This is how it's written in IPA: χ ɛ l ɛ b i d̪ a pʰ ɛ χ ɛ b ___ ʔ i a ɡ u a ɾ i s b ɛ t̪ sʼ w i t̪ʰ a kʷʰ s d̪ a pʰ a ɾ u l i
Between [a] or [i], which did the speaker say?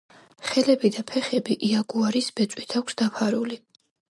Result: i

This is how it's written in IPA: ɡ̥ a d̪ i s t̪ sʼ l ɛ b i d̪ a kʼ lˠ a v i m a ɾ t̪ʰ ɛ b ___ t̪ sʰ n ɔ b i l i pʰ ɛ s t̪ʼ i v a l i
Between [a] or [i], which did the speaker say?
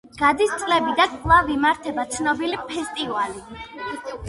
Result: a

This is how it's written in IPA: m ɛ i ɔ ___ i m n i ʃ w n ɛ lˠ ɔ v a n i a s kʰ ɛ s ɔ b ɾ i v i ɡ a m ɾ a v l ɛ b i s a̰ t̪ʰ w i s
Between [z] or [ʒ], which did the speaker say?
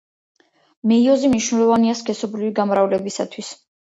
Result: z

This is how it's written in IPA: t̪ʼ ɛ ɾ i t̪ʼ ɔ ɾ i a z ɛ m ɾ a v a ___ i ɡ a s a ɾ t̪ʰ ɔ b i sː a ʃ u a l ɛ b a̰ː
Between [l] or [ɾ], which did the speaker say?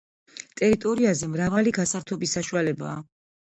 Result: l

